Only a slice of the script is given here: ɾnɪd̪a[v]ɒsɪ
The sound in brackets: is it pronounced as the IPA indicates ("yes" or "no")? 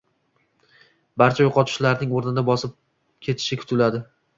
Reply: no